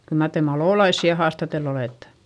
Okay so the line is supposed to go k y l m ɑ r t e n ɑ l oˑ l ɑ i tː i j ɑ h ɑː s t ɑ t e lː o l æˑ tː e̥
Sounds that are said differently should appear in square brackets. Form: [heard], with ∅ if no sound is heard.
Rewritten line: k y l m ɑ r t e [m] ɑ l oˑ l ɑ i [sː] i j ɑ h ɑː s t ɑ t e lː o l [eˑ] tː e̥